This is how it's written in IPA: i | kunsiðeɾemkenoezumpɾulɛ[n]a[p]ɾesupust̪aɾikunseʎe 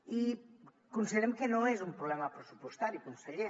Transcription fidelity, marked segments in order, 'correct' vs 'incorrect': incorrect, correct

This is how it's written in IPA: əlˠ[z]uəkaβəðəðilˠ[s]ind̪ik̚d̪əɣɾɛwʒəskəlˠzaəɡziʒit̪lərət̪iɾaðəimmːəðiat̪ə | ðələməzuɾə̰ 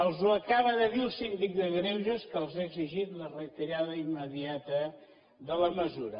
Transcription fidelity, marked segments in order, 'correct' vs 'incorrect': correct, correct

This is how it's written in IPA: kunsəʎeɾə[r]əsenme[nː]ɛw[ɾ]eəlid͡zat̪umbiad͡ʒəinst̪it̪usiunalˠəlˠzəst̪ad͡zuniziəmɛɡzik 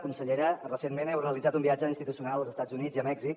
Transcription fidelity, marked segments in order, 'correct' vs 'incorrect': correct, incorrect, incorrect

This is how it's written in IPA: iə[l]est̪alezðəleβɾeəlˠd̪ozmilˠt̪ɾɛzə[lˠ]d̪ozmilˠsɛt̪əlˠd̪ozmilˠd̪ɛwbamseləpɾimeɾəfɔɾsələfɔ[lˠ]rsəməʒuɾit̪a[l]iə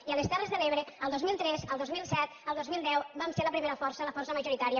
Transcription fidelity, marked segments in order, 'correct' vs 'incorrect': correct, correct, incorrect, incorrect

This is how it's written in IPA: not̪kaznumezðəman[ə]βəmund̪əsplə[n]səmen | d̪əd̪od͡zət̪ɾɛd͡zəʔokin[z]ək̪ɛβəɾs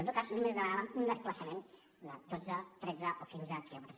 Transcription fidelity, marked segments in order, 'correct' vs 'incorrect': incorrect, incorrect, correct

